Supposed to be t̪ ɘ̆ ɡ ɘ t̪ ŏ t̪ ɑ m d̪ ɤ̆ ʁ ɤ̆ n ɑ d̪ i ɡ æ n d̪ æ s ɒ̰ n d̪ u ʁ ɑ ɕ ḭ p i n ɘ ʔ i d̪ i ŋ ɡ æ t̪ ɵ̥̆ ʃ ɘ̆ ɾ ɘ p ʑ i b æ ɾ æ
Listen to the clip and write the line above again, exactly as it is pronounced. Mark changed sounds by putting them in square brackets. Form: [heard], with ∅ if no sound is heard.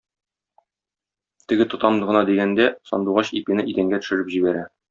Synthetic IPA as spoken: t̪ ɘ̆ ɡ ɘ t̪ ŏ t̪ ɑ m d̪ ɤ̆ ʁ ɤ̆ n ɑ d̪ i ɡ æ n d̪ æ s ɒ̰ n d̪ u ʁ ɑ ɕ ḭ p i n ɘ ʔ i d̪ [æ] ŋ ɡ æ t̪ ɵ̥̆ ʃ ɘ̆ ɾ ɘ p ʑ i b æ ɾ æ

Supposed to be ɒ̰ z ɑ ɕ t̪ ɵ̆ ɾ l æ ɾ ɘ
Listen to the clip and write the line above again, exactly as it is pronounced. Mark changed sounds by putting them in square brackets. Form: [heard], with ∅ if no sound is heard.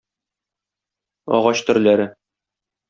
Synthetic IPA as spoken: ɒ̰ [ʁ] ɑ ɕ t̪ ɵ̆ ɾ l æ ɾ ɘ

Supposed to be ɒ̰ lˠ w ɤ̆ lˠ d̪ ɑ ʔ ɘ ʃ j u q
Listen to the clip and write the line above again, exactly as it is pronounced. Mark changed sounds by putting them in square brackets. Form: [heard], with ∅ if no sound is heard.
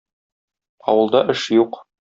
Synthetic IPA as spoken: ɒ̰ [∅] w ɤ̆ lˠ d̪ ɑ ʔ ɘ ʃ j u q

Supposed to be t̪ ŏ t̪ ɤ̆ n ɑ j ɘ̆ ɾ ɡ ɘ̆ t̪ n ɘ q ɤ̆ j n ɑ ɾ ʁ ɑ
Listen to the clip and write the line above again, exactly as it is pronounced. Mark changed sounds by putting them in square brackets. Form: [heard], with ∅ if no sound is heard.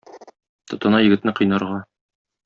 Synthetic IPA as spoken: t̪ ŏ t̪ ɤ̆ n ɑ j ɘ̆ [∅] ɡ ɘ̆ t̪ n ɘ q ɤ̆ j n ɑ ɾ ʁ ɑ

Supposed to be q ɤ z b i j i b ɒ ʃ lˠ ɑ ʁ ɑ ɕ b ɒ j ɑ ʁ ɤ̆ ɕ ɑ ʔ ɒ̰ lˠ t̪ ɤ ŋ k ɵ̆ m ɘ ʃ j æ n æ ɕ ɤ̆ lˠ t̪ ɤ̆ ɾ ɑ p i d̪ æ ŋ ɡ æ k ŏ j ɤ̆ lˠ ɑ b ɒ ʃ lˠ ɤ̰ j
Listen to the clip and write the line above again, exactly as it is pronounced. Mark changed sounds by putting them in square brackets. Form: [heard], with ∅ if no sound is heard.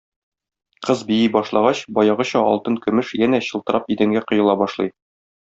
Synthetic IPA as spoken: q ɤ z b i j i b ɒ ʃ lˠ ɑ ʁ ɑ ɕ b ɒ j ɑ ʁ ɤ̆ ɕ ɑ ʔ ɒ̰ lˠ t̪ ɤ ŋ k ɵ̆ m ɘ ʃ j æ n æ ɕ ɤ̆ lˠ t̪ ɤ̆ ɾ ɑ p i d̪ æ ŋ ɡ æ [q] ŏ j ɤ̆ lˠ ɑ b ɒ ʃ lˠ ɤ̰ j

